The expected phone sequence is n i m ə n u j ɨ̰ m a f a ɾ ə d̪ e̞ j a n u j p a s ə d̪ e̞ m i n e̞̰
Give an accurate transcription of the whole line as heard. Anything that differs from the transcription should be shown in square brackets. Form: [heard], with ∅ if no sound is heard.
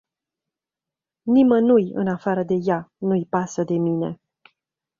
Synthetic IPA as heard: n i m ə n u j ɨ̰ [n] a f a ɾ ə d̪ e̞ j a n u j p a s ə d̪ e̞ m i n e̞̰